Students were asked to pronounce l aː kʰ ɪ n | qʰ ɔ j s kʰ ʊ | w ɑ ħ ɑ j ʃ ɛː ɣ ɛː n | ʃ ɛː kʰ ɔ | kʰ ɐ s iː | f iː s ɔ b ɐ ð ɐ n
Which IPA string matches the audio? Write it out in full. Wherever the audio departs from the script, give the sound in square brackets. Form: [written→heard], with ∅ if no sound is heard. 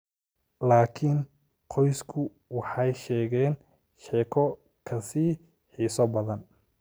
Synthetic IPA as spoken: l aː kʰ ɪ n | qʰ ɔ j s kʰ ʊ | w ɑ ħ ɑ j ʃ ɛː ɣ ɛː n | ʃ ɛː kʰ ɔ | kʰ ɐ s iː | [f→ħ] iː s ɔ b ɐ ð ɐ n